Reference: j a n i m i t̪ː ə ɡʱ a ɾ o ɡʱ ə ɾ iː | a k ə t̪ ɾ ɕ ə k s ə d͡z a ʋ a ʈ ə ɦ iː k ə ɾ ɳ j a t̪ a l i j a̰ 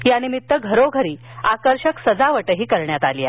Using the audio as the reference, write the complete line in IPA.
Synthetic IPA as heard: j a n i m i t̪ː ə ɡʱ ə ɾ o ɡʱ ə ɾ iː | a k ə ɾ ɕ ə k s ə d͡z a ʋ ə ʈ ə ɦ iː k ə ɾ ɳ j a t̪ a l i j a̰